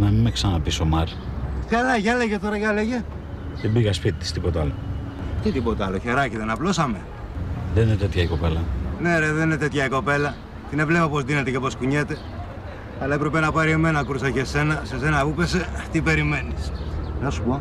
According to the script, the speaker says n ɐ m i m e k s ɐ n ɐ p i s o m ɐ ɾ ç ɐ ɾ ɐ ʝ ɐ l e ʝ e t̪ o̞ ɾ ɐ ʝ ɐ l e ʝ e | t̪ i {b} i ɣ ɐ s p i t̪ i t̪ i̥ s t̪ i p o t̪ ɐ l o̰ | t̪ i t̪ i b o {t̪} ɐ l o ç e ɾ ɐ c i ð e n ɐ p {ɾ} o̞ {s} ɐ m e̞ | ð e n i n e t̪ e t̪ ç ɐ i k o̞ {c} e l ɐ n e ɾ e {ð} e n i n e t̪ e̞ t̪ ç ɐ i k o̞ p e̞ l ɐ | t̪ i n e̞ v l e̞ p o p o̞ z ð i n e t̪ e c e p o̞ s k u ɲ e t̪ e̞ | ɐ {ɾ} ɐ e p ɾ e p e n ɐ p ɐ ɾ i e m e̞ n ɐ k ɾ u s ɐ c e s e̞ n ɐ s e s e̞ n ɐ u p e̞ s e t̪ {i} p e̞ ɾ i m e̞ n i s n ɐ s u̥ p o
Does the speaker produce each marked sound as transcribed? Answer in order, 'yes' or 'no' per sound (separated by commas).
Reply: yes, yes, no, yes, no, yes, no, yes